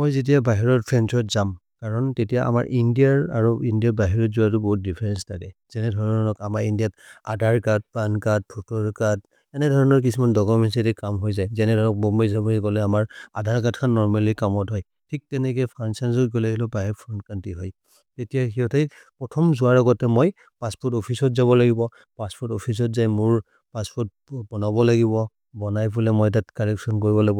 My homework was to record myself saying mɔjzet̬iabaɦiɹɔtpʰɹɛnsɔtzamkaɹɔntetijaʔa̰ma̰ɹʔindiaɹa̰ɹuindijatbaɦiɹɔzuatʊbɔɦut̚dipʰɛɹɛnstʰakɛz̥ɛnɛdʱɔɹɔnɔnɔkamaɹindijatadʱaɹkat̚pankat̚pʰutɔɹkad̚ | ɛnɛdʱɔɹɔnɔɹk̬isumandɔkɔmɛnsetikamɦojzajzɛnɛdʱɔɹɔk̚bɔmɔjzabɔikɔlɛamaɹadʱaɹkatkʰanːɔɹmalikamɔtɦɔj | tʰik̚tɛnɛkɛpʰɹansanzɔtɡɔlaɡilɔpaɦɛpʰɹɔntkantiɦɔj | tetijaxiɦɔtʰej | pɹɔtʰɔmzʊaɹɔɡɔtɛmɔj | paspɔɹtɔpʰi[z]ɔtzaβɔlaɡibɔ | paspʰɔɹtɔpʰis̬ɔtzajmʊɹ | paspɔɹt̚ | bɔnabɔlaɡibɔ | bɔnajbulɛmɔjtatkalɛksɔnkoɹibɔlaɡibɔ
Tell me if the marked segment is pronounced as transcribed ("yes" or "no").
no